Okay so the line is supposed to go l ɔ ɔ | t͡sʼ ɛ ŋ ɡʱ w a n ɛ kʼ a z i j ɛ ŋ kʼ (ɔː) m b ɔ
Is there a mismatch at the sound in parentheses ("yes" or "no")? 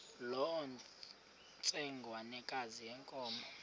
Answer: no